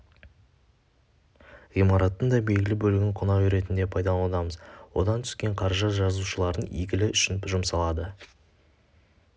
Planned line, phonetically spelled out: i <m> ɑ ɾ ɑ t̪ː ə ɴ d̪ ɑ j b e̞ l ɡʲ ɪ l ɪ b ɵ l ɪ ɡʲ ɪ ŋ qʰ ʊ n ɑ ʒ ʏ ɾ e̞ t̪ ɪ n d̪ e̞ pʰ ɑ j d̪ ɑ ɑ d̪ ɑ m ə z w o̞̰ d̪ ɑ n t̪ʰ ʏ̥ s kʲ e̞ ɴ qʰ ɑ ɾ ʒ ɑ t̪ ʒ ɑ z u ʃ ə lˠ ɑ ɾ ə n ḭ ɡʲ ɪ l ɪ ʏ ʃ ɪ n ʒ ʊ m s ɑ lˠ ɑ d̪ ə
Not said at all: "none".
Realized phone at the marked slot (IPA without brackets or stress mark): m